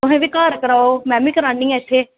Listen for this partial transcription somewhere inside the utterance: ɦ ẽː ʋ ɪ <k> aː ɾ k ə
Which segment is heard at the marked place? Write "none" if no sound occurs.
k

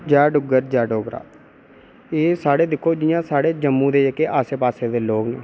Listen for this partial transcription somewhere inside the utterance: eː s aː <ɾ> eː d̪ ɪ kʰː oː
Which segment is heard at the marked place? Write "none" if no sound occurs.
ɽ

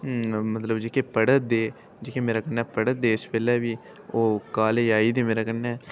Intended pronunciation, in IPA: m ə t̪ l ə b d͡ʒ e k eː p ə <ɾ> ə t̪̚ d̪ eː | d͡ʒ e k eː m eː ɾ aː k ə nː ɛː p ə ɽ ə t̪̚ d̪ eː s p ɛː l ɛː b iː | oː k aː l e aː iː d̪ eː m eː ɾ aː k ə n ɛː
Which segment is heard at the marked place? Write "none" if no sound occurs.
ɽ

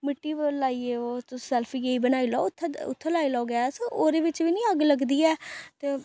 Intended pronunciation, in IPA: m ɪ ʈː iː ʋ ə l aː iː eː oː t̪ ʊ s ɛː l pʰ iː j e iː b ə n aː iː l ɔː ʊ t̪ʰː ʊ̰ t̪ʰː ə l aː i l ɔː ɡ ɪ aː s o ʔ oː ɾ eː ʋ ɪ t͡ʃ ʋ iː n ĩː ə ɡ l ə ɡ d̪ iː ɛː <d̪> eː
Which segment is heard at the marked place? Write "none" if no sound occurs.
t̪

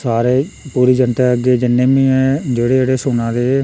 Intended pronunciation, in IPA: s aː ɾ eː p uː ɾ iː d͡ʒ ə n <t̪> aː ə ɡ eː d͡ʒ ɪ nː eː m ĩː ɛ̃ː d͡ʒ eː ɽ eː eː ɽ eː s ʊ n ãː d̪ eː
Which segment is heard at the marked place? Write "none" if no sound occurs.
t̪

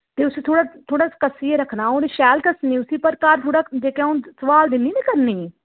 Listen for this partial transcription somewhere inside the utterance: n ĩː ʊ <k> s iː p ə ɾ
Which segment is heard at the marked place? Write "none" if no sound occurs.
none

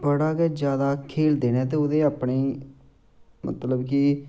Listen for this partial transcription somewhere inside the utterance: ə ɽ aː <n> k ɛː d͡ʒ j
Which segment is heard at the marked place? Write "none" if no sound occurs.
none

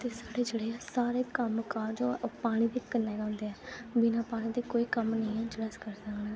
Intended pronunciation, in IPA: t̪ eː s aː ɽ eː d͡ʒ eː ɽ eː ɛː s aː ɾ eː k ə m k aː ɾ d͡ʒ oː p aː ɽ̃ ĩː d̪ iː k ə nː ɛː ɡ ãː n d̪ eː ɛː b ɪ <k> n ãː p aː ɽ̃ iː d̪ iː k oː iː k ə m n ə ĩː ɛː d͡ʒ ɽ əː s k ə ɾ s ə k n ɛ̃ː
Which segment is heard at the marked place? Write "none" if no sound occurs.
none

